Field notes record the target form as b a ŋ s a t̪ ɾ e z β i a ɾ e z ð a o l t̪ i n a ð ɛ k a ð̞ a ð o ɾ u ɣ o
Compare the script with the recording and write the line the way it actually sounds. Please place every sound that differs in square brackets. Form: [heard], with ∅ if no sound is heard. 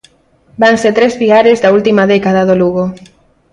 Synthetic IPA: b a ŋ s [e] t̪ ɾ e z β i a ɾ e z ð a [u] l t̪ i [m] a ð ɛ k a ð̞ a ð o [l] u ɣ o